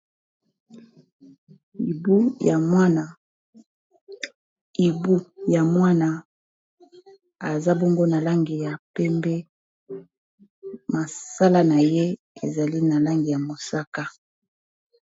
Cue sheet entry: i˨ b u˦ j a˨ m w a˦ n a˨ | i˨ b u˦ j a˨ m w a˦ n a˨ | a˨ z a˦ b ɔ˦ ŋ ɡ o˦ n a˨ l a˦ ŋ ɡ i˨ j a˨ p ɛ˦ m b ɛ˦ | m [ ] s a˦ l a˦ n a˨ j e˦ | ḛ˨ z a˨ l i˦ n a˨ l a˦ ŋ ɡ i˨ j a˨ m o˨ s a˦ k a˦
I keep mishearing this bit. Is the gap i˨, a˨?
a˨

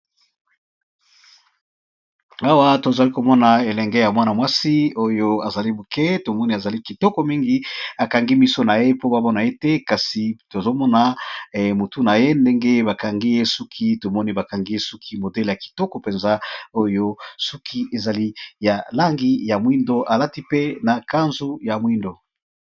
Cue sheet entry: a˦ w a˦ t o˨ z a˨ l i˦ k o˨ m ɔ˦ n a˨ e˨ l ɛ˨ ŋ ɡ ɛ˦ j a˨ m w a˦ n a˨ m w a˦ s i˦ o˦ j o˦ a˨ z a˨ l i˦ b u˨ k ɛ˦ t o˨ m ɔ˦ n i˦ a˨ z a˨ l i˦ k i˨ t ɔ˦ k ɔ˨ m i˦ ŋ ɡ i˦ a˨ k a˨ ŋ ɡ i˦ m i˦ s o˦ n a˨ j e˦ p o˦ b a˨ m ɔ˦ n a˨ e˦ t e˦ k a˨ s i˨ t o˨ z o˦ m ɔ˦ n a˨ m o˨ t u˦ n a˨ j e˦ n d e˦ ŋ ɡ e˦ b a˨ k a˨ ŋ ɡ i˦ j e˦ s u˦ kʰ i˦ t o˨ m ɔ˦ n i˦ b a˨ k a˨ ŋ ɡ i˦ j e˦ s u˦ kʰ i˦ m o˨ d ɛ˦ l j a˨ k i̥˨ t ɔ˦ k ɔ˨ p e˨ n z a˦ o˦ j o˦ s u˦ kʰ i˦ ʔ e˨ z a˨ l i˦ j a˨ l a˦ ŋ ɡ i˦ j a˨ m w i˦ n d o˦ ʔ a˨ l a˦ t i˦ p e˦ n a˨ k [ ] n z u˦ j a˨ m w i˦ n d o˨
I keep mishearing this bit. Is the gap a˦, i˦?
a˦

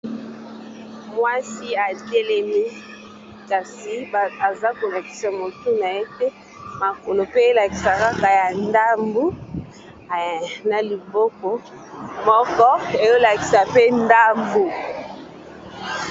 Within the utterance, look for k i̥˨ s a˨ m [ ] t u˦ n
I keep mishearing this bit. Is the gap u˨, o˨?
o˨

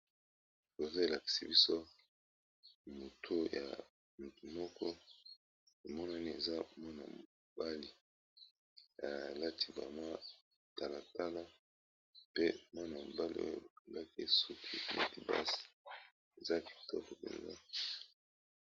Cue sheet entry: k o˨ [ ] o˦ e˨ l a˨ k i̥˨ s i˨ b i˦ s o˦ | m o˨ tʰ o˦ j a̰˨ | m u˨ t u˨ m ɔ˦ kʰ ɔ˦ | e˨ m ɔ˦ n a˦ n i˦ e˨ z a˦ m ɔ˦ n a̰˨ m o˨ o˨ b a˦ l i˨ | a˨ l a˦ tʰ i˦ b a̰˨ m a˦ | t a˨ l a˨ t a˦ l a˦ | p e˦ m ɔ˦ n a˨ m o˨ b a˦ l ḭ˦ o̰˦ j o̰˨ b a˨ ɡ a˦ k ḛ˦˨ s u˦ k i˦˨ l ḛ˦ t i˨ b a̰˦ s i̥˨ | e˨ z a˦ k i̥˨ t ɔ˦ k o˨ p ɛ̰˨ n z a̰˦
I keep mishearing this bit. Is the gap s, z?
z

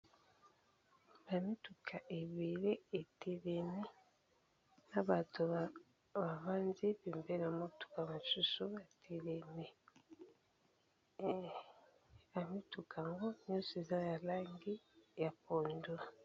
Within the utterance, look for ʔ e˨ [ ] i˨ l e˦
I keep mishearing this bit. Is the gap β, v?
β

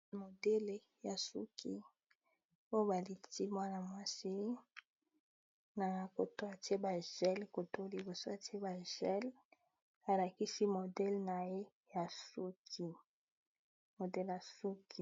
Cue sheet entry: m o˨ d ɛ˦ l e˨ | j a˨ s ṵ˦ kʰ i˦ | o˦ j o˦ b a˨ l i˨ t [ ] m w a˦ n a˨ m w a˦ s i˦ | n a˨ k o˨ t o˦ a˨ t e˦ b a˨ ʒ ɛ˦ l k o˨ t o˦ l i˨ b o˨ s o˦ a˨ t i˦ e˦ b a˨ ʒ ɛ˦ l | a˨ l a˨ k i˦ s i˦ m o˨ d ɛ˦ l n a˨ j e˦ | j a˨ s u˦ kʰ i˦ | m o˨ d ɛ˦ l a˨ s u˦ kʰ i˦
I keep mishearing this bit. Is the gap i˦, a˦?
i˦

